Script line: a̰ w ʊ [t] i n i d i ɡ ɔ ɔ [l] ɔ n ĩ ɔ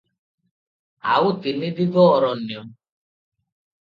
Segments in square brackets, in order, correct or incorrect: correct, incorrect

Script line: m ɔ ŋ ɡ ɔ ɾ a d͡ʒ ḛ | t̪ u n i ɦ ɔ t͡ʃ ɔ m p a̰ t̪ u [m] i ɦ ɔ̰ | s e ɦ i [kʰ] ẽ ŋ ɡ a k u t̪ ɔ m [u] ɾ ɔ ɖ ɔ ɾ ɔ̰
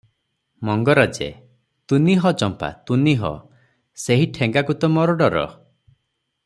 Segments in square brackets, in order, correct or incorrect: incorrect, incorrect, incorrect

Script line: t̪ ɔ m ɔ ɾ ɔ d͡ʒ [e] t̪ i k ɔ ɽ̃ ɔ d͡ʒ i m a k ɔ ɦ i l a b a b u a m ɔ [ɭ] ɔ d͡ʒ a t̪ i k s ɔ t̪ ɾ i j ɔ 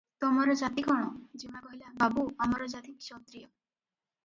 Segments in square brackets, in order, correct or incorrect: incorrect, incorrect

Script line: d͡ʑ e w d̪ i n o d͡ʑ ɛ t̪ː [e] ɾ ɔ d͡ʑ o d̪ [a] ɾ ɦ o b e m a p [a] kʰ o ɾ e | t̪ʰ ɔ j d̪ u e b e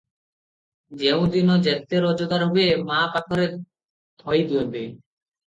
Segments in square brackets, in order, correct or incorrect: correct, correct, correct

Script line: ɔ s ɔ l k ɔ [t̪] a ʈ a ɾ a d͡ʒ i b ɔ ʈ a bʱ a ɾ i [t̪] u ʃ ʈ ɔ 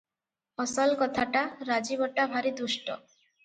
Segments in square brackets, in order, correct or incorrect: incorrect, incorrect

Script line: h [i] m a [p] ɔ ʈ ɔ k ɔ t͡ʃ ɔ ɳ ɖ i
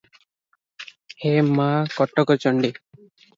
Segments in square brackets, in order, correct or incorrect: incorrect, incorrect

